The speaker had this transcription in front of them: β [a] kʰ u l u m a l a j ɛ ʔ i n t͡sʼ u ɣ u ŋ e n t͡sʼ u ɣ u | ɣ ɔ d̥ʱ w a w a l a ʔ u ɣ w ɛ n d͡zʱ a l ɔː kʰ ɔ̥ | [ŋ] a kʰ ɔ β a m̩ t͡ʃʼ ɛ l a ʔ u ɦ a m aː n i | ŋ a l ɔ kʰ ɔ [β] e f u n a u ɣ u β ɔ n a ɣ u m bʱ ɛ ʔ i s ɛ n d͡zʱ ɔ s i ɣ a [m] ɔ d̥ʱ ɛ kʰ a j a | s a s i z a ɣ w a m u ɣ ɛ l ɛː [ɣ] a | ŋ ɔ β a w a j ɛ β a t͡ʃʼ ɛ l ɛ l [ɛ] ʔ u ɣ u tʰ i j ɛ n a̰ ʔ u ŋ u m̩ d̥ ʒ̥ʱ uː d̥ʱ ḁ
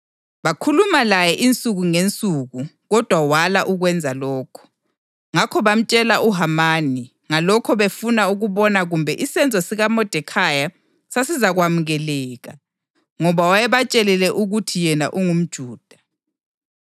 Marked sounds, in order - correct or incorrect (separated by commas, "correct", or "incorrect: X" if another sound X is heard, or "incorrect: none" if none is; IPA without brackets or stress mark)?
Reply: correct, correct, correct, correct, correct, correct